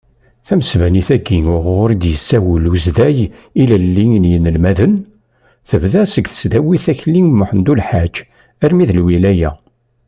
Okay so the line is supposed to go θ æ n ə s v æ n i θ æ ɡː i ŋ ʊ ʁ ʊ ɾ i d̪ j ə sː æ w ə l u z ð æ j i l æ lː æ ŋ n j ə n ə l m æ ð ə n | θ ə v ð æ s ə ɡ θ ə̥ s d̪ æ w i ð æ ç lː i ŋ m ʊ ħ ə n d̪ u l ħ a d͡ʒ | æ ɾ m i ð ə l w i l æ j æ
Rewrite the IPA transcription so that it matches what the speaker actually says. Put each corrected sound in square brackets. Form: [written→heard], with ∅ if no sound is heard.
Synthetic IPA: θ æ [n→m] ə s v æ n i θ æ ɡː i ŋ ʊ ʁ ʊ ɾ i d̪ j ə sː æ w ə l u z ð æ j i l æ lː [æ→i] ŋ n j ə n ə l m æ ð ə n | θ ə v ð æ s ə ɡ θ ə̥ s d̪ æ w i [ð→θ] æ ç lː i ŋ m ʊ ħ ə n d̪ u l ħ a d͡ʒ | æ ɾ m i ð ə l w i l æ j æ